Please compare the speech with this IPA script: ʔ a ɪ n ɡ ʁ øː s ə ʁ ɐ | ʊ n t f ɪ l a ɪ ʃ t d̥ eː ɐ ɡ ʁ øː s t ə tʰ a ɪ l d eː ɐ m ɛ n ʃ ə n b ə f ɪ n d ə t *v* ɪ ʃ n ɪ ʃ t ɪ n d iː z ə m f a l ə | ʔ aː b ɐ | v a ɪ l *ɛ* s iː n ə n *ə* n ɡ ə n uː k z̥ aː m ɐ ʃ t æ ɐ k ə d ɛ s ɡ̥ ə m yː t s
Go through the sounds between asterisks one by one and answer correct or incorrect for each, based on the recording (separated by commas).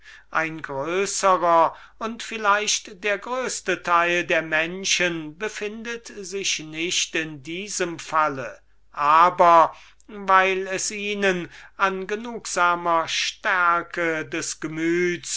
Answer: incorrect, correct, incorrect